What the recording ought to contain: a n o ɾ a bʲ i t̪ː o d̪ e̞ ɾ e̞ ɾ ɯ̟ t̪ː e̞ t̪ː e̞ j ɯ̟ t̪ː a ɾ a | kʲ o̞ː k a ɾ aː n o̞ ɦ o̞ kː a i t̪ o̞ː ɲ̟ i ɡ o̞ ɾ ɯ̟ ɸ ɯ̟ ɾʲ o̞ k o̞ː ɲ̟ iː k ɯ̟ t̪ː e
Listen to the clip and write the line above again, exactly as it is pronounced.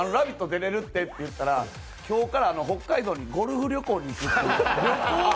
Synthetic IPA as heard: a n o ɾ a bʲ i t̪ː o d̪ e̞ ɾ e̞ ɾ ɯ̟ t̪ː e̞ t̪ː e̞ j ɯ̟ t̪ː a ɾ a | kʲ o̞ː k a ɾ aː n o̞ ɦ o̞ kː a i d̪ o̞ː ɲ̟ i ɡ o̞ ɾ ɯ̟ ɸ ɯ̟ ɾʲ o̞ k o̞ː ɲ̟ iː k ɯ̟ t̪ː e